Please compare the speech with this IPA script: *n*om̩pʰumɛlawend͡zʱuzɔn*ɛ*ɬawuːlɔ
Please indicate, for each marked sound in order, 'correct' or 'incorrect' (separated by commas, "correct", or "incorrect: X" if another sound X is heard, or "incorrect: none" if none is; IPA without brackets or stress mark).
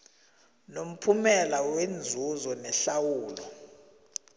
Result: correct, correct